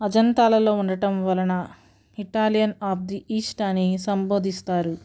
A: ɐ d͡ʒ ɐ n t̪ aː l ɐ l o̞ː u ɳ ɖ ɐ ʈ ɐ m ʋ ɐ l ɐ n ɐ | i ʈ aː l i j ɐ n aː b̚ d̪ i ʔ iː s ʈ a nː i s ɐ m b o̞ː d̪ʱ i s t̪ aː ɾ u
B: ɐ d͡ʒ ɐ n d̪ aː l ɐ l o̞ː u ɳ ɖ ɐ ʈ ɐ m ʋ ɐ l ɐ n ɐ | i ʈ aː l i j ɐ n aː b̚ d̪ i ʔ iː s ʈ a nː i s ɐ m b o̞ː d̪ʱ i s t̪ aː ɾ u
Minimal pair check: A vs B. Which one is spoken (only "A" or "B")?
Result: A